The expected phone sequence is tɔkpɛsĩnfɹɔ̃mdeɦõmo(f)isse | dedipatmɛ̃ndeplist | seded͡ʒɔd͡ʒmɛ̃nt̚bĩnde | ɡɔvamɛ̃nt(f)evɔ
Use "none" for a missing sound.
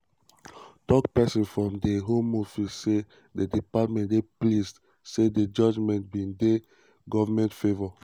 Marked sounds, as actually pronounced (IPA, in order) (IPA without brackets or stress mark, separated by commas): f, f